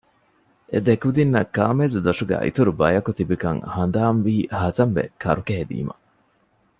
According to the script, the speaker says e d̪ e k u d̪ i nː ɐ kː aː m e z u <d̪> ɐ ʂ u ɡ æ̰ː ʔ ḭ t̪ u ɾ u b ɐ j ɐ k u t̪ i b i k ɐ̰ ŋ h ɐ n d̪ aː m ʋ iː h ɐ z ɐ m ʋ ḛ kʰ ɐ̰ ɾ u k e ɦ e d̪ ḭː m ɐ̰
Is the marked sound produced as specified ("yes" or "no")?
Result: yes